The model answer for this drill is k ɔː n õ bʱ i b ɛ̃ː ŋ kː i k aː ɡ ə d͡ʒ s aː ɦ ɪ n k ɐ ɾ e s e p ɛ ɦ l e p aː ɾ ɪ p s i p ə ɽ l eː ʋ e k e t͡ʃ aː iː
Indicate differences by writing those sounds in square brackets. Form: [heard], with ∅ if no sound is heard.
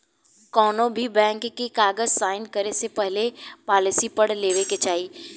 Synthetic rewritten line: k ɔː n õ bʱ i b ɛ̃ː ŋ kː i k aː ɡ ə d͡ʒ s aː [∅] ɪ n k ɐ ɾ e s e p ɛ ɦ l e p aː [l] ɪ [∅] s i p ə ɽ l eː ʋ e k e t͡ʃ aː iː